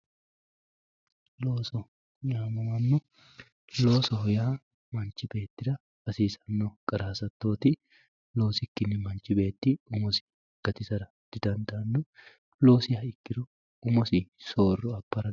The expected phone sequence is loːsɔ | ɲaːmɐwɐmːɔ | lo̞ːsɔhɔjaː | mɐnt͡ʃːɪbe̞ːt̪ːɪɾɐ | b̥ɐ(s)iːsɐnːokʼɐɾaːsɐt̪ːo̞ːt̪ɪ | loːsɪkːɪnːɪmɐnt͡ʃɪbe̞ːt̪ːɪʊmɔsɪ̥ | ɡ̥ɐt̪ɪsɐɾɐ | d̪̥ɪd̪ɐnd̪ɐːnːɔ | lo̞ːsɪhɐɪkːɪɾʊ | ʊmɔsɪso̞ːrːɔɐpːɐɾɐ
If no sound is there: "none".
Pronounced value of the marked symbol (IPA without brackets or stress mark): s